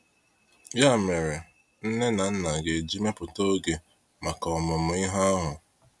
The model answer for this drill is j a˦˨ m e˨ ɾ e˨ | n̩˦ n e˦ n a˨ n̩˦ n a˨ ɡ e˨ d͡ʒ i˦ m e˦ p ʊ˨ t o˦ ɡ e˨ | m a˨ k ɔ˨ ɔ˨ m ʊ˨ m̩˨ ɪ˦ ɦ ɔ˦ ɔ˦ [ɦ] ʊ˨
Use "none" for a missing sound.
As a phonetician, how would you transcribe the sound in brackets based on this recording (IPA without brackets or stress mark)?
ɦ